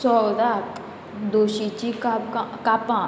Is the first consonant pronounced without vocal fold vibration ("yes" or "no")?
yes